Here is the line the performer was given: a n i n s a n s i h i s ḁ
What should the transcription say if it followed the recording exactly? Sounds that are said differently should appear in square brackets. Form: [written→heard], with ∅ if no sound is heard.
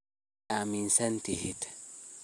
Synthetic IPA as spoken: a [n→m] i n s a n [s→t] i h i [s→t] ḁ